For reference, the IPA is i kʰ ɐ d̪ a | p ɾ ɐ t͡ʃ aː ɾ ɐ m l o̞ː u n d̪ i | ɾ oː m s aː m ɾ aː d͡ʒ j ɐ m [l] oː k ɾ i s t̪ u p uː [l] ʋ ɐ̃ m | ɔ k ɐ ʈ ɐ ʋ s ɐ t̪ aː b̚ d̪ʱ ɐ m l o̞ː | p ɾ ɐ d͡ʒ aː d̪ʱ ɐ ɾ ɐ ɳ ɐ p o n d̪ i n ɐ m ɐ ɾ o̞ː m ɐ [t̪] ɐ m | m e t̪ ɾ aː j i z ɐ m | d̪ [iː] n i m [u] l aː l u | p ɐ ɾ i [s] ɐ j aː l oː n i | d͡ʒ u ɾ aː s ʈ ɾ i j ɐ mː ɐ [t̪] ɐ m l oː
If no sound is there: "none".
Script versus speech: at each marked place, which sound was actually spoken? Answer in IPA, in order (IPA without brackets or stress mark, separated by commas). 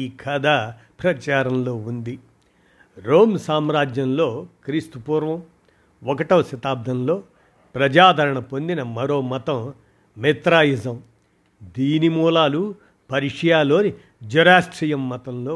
l, ɾ, t̪, iː, uː, ʂ, t̪